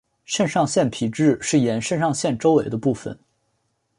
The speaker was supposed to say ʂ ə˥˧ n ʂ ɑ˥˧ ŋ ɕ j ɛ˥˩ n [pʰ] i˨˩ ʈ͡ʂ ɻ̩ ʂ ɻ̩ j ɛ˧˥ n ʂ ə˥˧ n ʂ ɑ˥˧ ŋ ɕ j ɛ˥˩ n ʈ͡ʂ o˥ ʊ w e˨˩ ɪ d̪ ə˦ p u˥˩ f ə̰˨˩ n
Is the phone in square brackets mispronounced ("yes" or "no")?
no